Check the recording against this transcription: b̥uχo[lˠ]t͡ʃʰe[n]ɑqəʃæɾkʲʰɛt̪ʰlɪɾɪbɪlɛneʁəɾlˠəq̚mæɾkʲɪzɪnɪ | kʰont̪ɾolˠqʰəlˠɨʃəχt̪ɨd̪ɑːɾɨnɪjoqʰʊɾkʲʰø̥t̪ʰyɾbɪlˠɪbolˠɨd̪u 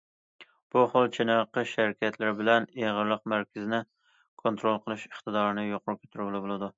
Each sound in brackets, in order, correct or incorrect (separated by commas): correct, correct